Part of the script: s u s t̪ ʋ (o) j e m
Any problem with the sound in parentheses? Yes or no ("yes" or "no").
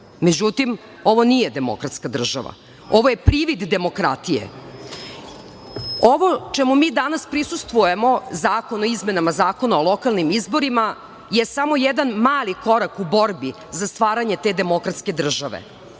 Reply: yes